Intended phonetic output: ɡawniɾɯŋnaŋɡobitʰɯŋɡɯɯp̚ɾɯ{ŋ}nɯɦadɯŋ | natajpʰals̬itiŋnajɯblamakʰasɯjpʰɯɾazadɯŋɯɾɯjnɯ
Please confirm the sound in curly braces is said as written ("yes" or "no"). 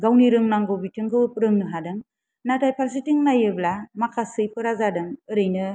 yes